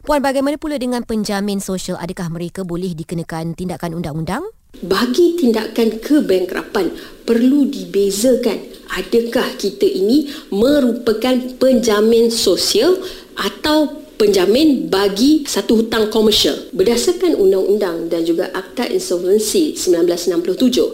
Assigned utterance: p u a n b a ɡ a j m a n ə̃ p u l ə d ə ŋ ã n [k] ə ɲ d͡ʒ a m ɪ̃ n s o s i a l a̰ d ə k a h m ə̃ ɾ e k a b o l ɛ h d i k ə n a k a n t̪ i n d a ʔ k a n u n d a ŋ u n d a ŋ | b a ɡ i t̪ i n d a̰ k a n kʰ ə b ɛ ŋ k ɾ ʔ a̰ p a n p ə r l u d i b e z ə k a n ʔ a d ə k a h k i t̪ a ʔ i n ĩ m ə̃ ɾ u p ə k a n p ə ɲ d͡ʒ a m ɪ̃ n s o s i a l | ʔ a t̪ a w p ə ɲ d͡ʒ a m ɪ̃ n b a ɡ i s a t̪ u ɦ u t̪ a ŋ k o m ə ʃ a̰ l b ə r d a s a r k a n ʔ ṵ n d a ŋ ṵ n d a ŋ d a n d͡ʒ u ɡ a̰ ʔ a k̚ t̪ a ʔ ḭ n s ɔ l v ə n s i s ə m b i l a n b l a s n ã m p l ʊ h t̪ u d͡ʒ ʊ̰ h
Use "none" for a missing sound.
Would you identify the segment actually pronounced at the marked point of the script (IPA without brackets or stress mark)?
p